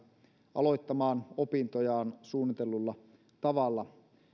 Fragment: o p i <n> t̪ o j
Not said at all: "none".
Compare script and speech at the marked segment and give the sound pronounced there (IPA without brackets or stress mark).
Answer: n